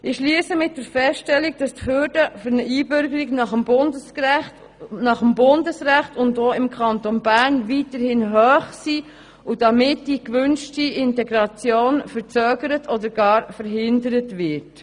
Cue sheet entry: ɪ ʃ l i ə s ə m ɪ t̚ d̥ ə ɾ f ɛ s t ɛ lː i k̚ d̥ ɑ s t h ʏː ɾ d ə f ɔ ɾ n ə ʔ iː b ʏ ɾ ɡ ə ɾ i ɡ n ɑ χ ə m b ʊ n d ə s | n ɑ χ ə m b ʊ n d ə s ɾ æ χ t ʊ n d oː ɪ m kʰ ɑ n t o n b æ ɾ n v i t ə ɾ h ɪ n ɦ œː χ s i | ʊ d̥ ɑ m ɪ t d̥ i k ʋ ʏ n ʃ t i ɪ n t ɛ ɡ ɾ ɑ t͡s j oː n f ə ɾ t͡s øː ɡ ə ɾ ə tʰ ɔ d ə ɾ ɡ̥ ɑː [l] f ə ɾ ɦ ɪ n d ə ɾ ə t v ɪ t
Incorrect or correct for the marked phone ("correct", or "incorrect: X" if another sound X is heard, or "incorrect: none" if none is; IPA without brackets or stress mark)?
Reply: incorrect: ɾ